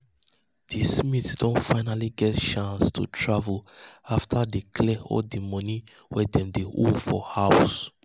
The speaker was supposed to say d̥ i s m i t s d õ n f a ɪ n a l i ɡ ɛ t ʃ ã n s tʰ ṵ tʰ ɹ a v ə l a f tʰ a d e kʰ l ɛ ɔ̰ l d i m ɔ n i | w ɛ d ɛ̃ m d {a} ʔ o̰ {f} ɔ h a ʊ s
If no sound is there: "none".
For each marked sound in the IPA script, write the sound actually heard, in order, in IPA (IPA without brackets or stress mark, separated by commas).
e, f